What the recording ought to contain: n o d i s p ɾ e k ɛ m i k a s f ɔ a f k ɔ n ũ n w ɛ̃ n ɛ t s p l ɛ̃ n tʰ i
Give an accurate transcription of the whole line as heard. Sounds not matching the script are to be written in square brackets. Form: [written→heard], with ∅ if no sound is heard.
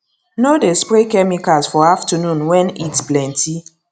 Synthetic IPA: n o d [i→e] s p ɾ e k ɛ m i k a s f ɔ a f [k→t] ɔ n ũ n w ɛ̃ n [ɛ→i] t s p l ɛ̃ n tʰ i

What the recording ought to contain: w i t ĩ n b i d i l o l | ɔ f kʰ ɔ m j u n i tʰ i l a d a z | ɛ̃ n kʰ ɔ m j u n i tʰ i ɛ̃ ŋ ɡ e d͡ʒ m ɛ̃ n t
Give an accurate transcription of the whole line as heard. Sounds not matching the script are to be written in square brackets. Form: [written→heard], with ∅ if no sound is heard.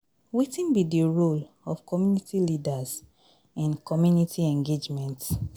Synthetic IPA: w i t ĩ n b i d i [l→ɹ] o l | ɔ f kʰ ɔ m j u n i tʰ i l [a→i] d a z | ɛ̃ n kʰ ɔ m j u n i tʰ i ɛ̃ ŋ ɡ e d͡ʒ m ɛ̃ n t

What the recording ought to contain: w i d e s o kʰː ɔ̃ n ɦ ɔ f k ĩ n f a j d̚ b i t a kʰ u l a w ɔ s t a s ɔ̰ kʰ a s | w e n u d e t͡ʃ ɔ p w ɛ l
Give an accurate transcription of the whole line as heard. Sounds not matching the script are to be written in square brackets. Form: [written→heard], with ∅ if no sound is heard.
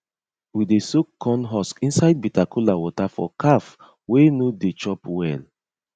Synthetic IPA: w i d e s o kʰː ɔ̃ n ɦ ɔ [f→s] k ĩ n [f→s] a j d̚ b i t a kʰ u l a w ɔ [s→∅] t a [s→f] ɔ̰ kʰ a [s→f] | w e n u d e t͡ʃ ɔ p w ɛ l

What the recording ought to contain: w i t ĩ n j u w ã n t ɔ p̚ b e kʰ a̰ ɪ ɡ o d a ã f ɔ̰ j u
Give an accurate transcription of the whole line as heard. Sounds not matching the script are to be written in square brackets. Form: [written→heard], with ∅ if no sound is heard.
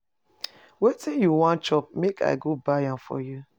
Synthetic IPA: w [i→e] t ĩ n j u w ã n [t→t͡ʃ] ɔ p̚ [b→m] e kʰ a̰ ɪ ɡ o [d→b] a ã f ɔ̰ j u

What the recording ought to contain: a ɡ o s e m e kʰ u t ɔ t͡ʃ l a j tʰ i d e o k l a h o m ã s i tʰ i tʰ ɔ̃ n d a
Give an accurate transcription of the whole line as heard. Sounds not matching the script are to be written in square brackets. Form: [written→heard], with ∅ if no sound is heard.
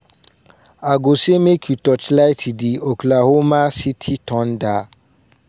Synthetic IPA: a ɡ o s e m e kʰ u t ɔ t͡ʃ l a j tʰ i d [e→i] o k l a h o m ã s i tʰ i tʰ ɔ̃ n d a

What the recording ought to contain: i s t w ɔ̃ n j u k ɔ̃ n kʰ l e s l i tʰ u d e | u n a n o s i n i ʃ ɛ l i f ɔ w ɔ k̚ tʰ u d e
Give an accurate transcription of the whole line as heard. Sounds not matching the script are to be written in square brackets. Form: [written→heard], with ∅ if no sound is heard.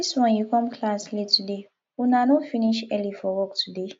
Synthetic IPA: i s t w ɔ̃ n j u k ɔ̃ [n→m] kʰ l [e→a] s l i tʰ u d e | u n a n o [s→f] i n i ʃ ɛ l i f ɔ w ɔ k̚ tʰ u d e

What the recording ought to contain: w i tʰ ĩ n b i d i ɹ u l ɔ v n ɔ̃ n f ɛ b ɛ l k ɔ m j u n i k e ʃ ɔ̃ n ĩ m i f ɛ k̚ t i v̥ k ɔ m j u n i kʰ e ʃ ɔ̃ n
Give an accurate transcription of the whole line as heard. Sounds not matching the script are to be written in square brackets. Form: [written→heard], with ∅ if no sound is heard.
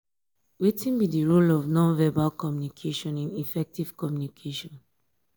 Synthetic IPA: w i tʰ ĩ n b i d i ɹ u l ɔ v n ɔ̃ n [f→v] ɛ b [ɛ→a] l k ɔ m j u n i [k→kʰ] e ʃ ɔ̃ n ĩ [m→n] i f ɛ k̚ t i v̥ k ɔ m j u n i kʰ e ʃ ɔ̃ n

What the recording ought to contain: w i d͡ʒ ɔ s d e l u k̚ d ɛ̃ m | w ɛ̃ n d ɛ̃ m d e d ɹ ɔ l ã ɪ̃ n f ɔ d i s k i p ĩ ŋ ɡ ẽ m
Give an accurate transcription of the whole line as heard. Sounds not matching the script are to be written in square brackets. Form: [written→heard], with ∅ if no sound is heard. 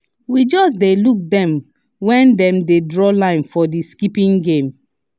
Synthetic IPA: w i d͡ʒ ɔ s d e l u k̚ d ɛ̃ m | w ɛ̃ n d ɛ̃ m d e d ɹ ɔ l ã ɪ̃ n f ɔ d i s k i p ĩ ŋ ɡ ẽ m

